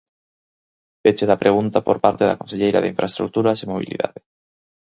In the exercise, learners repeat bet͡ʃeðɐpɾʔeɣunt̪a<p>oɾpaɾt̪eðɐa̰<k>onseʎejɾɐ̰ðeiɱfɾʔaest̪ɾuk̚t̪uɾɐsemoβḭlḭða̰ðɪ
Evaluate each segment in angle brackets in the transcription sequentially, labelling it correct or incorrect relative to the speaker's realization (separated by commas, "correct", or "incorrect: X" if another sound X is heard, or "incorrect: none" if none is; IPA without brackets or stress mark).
correct, correct